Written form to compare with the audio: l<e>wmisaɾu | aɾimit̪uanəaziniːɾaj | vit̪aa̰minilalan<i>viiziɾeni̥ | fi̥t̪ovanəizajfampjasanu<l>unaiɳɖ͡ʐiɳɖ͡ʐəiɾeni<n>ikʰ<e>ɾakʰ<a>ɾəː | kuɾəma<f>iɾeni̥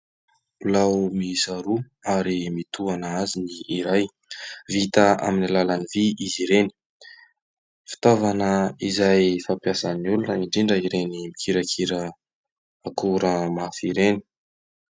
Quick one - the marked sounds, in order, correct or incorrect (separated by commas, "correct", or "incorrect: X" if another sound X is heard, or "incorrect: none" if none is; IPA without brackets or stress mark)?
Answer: incorrect: a, correct, correct, incorrect: m, incorrect: i, incorrect: i, correct